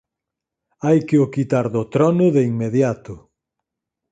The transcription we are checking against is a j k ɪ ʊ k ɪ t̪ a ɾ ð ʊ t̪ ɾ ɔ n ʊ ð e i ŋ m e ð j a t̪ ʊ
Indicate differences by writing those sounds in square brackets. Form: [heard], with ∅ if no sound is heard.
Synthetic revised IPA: a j k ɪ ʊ k [i] t̪ a ɾ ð ʊ t̪ ɾ ɔ n ʊ ð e i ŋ m e ð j a t̪ ʊ

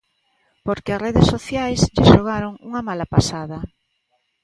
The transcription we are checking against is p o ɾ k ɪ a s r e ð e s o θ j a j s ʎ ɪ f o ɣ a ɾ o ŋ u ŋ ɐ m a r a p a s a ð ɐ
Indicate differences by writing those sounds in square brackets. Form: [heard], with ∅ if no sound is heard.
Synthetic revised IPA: p o ɾ k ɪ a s r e ð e s o θ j a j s ʎ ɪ [ʃ] o ɣ a ɾ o ŋ u ŋ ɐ m a [l] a p a s a ð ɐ

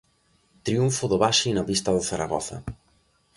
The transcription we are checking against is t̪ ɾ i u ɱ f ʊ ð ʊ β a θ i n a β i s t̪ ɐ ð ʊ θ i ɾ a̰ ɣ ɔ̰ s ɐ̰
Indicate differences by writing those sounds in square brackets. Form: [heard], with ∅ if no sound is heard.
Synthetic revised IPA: t̪ ɾ i u ɱ f ʊ ð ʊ β a [ʃ] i n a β i s t̪ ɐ ð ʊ θ [a] ɾ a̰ ɣ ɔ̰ [θ] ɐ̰

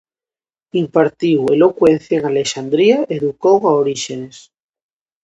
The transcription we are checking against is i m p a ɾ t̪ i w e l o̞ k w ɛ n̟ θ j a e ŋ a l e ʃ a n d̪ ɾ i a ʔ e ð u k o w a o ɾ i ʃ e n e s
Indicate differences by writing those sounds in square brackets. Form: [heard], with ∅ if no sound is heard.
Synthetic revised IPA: i m p a ɾ t̪ i w e l o̞ k w [e] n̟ θ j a e ŋ a l e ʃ a n d̪ ɾ i a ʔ e ð u k o w a o ɾ i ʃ e n e s

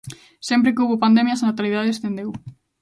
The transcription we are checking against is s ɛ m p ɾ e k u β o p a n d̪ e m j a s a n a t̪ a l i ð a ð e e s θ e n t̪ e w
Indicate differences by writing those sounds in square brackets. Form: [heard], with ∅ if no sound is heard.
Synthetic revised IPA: s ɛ m p ɾ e k u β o p a n d̪ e m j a s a n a t̪ a l i ð a ð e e s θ e n [d̪] e w

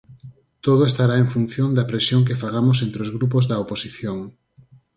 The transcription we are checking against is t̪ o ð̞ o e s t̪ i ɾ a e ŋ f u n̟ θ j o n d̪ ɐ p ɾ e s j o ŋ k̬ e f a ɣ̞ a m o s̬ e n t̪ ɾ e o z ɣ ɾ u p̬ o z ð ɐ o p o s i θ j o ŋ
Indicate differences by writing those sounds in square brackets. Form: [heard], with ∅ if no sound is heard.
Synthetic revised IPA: t̪ o ð̞ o e s t̪ [a] ɾ a e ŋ f u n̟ θ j o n d̪ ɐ p ɾ e s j o ŋ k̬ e f a ɣ̞ a m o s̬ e n t̪ ɾ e o z ɣ ɾ u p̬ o z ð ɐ o p o s i θ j o ŋ

